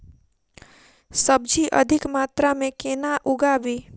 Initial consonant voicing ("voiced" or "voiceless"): voiceless